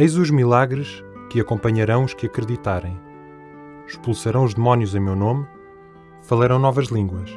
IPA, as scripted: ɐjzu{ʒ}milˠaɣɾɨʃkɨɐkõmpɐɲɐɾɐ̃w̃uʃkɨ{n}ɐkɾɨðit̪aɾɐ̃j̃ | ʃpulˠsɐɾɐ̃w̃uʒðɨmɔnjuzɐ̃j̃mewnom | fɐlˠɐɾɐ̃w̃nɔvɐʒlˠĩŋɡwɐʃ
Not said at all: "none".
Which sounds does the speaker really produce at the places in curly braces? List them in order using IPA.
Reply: ʒ, none

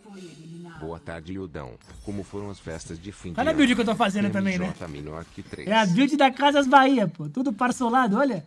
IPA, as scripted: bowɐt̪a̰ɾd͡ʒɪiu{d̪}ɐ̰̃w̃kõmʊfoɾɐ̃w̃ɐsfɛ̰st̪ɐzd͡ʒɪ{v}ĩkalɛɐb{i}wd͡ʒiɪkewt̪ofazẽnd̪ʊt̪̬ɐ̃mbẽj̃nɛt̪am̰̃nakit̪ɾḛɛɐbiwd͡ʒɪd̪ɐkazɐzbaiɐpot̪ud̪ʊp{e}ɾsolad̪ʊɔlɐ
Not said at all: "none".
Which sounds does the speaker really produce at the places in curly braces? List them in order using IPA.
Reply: d̪, f, i, a

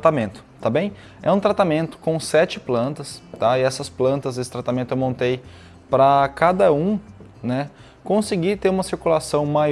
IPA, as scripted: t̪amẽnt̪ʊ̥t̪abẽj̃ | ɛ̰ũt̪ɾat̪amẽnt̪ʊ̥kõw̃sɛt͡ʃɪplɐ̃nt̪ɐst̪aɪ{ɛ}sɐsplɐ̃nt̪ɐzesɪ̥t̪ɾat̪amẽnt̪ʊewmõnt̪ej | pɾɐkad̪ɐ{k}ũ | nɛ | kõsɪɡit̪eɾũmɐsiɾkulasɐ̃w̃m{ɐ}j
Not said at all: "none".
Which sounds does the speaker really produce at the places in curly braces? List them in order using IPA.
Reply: ɛ, none, a

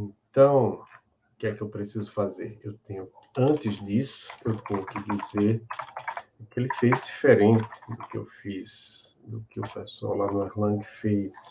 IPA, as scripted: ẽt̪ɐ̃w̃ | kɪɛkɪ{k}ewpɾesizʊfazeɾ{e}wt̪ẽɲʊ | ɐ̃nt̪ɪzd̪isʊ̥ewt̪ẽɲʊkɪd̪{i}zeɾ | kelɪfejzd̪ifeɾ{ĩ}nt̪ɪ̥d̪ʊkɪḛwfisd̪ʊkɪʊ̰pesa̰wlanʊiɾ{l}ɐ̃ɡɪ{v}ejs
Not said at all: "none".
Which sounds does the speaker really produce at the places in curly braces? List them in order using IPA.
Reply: none, e, i, ẽ, l, f

